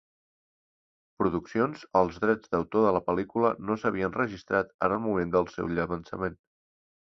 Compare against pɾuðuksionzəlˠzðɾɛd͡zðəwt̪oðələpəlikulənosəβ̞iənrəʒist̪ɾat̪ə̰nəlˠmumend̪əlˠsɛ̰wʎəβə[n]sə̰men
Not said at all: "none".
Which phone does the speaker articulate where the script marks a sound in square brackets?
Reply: n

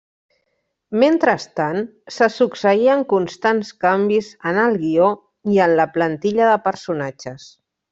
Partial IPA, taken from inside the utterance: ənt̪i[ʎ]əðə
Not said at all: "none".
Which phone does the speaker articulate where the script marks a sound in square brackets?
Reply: ʎ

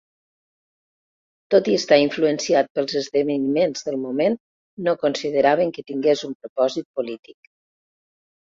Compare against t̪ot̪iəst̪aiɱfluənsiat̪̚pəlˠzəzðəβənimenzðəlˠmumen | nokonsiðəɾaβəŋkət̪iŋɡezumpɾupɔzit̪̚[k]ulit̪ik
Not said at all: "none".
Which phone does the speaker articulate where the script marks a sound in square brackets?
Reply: p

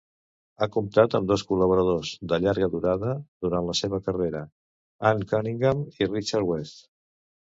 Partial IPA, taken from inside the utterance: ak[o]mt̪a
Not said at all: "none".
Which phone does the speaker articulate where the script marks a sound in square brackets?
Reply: u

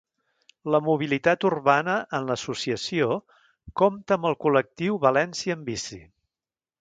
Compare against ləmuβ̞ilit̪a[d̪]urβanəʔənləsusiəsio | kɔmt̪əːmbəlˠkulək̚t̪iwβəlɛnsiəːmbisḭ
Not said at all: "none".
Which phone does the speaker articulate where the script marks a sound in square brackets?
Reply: t̪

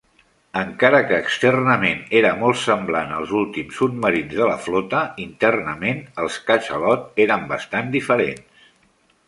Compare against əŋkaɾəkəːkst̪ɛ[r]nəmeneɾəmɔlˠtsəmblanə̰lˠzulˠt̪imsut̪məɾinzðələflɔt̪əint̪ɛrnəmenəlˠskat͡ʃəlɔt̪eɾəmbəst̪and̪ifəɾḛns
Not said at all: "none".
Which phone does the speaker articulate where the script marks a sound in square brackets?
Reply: r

